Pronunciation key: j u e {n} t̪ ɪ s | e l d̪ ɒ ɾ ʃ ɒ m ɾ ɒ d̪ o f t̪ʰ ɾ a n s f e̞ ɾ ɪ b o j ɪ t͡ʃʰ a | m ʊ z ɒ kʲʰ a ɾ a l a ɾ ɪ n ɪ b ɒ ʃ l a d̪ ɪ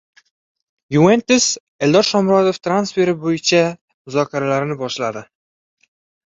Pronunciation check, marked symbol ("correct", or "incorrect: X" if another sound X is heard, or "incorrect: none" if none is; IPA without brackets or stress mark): correct